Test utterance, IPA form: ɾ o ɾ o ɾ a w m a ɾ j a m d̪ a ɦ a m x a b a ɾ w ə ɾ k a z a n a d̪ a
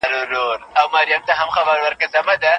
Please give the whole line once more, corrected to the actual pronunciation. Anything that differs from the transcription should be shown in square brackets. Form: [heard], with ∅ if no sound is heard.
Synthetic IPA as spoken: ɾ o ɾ o ɾ a w m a ɾ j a m [t̪] a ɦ a m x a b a ɾ w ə ɾ k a z a [m] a d̪ a